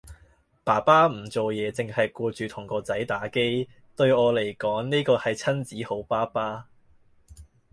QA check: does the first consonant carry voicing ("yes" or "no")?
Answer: no